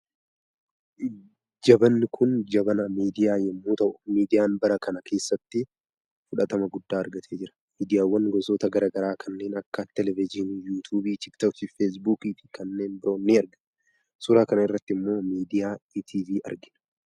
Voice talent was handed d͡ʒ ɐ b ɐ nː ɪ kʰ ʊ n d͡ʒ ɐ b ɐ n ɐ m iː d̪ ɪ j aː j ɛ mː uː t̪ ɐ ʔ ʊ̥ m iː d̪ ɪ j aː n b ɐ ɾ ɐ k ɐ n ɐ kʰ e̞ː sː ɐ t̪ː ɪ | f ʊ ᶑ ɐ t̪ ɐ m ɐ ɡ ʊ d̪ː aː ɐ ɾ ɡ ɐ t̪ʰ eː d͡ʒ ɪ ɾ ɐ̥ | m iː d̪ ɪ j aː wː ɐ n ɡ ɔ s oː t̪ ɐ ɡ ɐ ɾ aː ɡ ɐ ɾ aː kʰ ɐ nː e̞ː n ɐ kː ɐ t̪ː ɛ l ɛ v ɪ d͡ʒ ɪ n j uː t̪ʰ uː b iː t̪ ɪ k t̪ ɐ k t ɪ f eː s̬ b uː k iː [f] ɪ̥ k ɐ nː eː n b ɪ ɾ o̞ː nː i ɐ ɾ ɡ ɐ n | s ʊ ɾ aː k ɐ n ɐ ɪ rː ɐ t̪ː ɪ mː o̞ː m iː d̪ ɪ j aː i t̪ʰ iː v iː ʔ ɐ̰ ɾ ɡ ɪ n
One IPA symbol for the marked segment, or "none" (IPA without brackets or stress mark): f